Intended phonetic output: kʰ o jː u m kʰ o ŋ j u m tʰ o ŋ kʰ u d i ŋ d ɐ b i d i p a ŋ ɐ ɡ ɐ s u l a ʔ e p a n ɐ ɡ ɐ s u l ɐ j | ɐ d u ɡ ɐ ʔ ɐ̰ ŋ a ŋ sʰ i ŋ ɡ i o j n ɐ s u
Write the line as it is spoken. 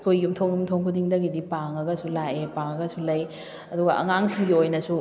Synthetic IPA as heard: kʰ o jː u m tʰ o ŋ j u m tʰ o ŋ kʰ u d i ŋ d ɐ ɡ i d i p a ŋ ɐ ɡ ɐ s u l a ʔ e p a ŋ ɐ ɡ ɐ s u l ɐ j | ɐ d u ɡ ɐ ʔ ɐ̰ ŋ a ŋ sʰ i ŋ ɡ i o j n ɐ s u

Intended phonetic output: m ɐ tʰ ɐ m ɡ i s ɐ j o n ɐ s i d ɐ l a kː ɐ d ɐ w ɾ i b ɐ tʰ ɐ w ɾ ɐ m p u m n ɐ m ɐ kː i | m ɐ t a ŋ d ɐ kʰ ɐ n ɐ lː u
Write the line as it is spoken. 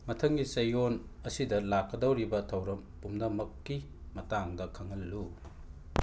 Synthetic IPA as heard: m ɐ tʰ ɐ ŋ ɡ i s ɐ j o n ɐ s i d ɐ l a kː ɐ d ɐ w ɾ i b ɐ tʰ ɐ w ɾ ɐ m p u m n ɐ m ɐ kː i | m ɐ t a ŋ d ɐ kʰ ɐ ŋ ɐ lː u

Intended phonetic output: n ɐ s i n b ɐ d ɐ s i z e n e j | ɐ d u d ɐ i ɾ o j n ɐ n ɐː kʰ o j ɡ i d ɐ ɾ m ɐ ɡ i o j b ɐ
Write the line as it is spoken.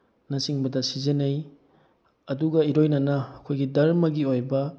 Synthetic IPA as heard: n ɐ s i ŋ b ɐ d ɐ s i z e n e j | ɐ d u ɡ ɐ i ɾ o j n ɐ n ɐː kʰ o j ɡ i d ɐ ɾ m ɐ ɡ i o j b ɐ

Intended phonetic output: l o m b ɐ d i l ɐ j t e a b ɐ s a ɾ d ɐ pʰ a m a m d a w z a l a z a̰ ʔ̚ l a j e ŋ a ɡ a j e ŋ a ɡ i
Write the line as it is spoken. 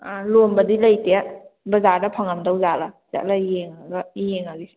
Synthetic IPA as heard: l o m b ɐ d i l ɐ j t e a b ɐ z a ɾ d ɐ pʰ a ŋ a m d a w z a l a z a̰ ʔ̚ l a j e ŋ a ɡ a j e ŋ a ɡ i

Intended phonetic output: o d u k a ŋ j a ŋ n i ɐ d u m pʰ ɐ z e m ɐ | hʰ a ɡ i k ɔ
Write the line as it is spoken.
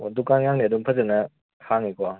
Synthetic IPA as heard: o d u k a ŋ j a ŋ n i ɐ d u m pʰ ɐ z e n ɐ | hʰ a ŋ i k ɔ

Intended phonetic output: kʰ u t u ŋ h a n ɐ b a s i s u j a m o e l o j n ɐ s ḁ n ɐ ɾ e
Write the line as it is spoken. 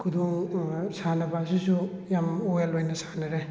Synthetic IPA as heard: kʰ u d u ŋ s a n ɐ b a s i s u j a m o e l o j n ɐ s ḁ n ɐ ɾ e

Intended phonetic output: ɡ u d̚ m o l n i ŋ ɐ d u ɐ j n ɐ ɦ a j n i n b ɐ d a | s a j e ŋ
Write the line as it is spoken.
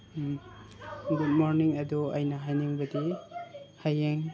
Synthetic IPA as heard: ɡ u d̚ m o ɾ n i ŋ ɐ d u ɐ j n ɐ ɦ a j n i ŋ b ɐ d i | h a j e ŋ

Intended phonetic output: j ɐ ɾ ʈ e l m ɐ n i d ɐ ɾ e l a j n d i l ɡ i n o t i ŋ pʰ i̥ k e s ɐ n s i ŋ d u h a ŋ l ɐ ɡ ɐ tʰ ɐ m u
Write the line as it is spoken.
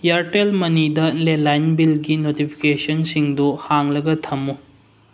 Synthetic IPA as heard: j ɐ ɾ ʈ e l m ɐ n i d ɐ l e l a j n b i l ɡ i n o t i pʰ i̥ k e s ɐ n s i ŋ d u h a ŋ l ɐ ɡ ɐ tʰ ɐ m u

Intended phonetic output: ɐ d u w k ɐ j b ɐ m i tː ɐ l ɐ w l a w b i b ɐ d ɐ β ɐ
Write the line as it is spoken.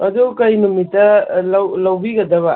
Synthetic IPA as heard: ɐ d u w k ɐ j m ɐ m i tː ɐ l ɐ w l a w b i ɡ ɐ d ɐ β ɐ

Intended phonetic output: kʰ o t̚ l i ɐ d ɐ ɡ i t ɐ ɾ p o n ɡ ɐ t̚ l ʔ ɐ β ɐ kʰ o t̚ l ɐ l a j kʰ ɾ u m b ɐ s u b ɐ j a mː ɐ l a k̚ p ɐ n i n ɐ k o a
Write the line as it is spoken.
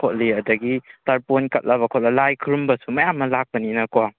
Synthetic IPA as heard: kʰ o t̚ l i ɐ d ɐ ɡ i t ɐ ɾ p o n k ɐ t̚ l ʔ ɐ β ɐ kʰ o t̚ l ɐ l a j kʰ ɾ u m b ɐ s u m ɐ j a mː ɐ l a k̚ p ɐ n i n ɐ k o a

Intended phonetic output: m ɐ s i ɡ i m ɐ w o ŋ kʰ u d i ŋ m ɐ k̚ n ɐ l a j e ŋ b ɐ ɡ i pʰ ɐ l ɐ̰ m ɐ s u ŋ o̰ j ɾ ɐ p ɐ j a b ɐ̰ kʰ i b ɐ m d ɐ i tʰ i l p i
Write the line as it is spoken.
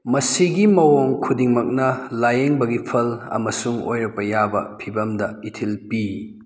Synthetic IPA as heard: m ɐ s i ɡ i m ɐ w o ŋ kʰ u d i ŋ m ɐ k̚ n ɐ l a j e ŋ b ɐ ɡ i pʰ ɐ l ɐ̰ m ɐ s u ŋ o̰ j ɾ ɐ p ɐ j a b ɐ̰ pʰ i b ɐ m d ɐ i tʰ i l p i

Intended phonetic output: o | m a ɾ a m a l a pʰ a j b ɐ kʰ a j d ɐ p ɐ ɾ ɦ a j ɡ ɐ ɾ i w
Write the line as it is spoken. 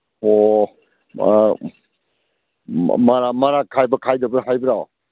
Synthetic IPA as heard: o | m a ɾ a m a ɾ a kʰ a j b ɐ kʰ a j d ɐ b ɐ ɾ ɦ a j b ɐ ɾ a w

